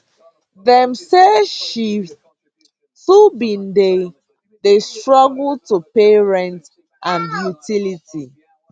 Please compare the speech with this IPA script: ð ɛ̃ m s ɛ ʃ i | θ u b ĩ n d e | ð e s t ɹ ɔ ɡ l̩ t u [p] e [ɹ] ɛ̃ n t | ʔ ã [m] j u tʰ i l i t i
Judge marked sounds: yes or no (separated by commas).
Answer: yes, yes, no